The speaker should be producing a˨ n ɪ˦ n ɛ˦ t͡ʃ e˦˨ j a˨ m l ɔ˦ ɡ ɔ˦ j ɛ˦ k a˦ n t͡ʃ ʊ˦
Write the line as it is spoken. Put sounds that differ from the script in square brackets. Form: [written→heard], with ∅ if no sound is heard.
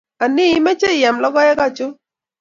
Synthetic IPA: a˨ n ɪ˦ [n→m] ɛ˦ t͡ʃ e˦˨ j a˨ m l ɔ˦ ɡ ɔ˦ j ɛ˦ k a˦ [n→∅] t͡ʃ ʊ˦